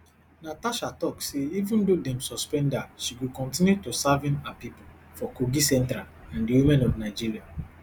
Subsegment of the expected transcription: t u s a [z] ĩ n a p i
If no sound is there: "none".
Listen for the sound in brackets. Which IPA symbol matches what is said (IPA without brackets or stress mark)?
v